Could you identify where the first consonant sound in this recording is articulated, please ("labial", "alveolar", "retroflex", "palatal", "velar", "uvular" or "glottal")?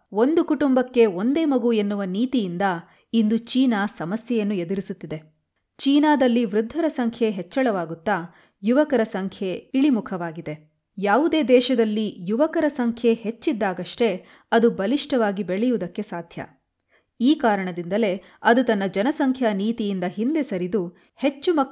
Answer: alveolar